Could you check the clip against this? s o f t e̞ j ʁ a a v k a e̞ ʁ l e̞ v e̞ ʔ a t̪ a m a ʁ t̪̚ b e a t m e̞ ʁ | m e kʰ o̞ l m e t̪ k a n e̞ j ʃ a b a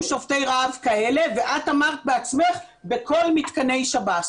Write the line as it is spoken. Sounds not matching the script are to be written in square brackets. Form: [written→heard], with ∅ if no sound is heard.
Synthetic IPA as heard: [s→ʃ] o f t e̞ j ʁ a a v k a e̞ [ʁ→∅] l e̞ v e̞ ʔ a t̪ a m a ʁ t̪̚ b e a [t→t͡s] m e̞ [ʁ→χ] | [m→b] e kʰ o̞ l m [e→i] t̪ k a n e̞ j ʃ a b a

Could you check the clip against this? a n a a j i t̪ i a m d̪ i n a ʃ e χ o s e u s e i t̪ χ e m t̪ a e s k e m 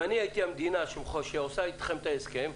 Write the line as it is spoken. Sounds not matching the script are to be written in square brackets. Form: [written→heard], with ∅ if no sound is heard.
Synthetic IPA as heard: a n [a→i] a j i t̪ i a m d̪ i n a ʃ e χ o [s→ʃ] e [u→o] s [e→a] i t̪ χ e m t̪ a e s k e m

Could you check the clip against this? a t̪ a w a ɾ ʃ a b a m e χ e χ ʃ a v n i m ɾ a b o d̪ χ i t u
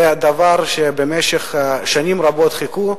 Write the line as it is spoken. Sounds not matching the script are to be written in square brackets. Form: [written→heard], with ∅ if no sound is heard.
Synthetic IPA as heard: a [t̪→d̪] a [w→v] a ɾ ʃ [a→e] b [a→e] m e [χ→ʃ] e χ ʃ a [v→∅] n i m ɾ a b o [d̪→t̪] χ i [t→k] u

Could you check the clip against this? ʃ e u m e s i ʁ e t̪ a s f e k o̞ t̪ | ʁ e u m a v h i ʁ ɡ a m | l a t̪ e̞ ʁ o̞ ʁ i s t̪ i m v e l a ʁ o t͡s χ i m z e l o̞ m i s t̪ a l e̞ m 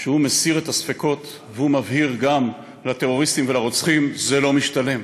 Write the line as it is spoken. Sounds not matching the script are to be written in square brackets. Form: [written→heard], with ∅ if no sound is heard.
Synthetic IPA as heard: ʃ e u m e s i ʁ e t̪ a s f e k o̞ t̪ | [ʁ→v] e u m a v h i ʁ ɡ a m | l a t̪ e̞ ʁ o̞ ʁ i s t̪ i m v e l a ʁ o t͡s χ i m z e l o̞ m i [s→ʃ] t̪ a l e̞ m

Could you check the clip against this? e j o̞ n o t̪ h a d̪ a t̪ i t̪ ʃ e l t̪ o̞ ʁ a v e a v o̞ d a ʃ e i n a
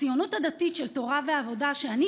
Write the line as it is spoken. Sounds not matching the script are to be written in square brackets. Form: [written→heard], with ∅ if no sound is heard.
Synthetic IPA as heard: [e→i] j o̞ n o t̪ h a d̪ a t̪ i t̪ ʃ e l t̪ o̞ ʁ a v e a v o̞ d a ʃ e [i→a] n [a→i]

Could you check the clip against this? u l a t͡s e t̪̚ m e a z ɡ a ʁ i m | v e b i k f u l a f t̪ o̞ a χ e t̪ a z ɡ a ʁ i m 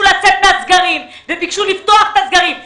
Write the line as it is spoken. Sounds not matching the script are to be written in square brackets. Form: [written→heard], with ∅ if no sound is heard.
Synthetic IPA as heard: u l a t͡s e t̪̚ m e a z ɡ a ʁ i m | v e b i k [f→ʃ] u l [a→i] f t̪ o̞ a χ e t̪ a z ɡ a ʁ i m

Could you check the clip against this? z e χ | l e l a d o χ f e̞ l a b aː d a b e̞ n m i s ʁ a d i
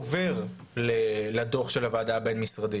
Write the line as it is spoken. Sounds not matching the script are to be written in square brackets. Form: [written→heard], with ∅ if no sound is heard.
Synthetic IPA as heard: [z→v] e [χ→ʁ] | l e l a d o χ [f→ʃ] e̞ l a [b→v] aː d a b e̞ n m i s ʁ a d i

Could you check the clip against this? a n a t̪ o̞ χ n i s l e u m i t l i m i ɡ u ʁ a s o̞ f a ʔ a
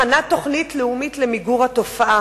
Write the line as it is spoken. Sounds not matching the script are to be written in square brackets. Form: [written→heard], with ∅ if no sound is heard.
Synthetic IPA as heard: a n a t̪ o̞ χ n i [s→t] l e u m i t l [i→e] m i ɡ u ʁ a [s→t] o̞ f a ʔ a

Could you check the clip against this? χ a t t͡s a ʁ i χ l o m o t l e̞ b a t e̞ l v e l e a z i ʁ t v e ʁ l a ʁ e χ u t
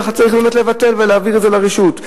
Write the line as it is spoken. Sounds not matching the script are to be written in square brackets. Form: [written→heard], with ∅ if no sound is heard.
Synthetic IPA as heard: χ a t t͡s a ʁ i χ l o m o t l e̞ [b→v] a t e̞ l v e l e a [z→v] i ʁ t [v→z] e [ʁ→∅] l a ʁ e [χ→ʃ] u t

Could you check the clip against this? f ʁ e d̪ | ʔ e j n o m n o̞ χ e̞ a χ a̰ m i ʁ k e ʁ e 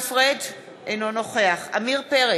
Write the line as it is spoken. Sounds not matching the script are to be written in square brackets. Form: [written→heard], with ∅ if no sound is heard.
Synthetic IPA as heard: f ʁ e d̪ | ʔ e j n o [m→∅] n o̞ χ e̞ a χ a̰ m i ʁ [k→p] e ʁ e

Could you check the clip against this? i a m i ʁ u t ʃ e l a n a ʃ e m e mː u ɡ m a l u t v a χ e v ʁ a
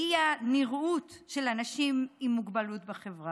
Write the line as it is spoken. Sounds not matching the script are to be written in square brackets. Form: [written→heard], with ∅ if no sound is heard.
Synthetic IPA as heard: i a [m→n] i ʁ u t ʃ e l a n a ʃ [e→i] m [e→i] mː u ɡ [m→b] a l u t [v→b] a χ e v ʁ a

